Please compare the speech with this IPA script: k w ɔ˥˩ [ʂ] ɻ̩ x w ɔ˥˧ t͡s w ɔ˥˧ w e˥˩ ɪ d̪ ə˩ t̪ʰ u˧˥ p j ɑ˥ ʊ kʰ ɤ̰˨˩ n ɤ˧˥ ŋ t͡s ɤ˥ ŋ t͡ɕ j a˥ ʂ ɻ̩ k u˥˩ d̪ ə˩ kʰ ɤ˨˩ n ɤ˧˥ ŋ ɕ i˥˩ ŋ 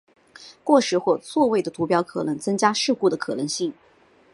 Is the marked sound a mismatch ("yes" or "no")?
no